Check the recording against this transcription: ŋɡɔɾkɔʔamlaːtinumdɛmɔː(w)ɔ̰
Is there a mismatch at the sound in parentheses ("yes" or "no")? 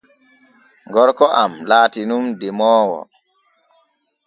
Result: no